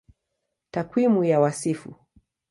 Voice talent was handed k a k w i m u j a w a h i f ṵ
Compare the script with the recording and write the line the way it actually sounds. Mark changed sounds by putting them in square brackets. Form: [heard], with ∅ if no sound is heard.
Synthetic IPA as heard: [t] a k w i m u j a w a [s] i f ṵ